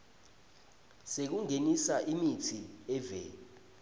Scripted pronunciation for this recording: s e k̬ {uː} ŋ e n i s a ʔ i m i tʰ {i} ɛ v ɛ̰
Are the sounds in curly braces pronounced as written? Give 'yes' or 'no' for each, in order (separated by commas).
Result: no, yes